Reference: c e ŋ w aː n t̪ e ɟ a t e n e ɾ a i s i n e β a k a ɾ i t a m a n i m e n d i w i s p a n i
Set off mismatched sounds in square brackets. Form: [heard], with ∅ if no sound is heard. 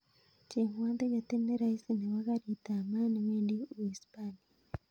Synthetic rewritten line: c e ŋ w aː n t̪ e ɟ a t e n e ɾ a i s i n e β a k a ɾ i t a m a n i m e n d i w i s p a n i